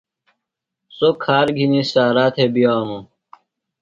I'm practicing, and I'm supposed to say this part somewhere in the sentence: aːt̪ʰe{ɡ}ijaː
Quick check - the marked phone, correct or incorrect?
incorrect